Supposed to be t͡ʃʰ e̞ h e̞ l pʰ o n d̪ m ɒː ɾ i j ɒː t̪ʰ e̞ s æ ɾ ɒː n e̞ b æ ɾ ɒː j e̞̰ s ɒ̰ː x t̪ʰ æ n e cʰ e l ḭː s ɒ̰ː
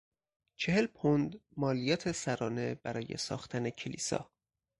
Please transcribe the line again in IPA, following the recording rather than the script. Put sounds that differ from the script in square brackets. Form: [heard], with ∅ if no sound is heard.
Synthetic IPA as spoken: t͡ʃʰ e̞ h e̞ l pʰ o n d̪ m ɒː [l] i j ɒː t̪ʰ e̞ s æ ɾ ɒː n e̞ b æ ɾ ɒː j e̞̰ s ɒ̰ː x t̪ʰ æ n e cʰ e l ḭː s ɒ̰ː